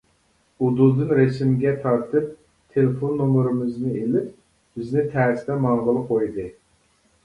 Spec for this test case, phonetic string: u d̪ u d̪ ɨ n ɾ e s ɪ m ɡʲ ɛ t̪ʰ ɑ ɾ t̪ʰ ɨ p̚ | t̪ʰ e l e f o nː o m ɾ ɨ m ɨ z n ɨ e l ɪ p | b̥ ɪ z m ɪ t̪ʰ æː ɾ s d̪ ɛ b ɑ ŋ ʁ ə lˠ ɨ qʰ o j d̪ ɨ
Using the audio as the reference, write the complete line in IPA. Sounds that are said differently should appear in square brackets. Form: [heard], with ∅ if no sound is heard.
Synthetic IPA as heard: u d̪ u d̪ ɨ n ɾ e s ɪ m ɡʲ ɛ t̪ʰ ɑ ɾ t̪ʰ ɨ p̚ | t̪ʰ e l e f o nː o m ɾ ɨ m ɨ z n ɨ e l ɪ p | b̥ ɪ z [n] ɪ t̪ʰ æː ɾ s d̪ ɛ [m] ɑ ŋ ʁ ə lˠ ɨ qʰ o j d̪ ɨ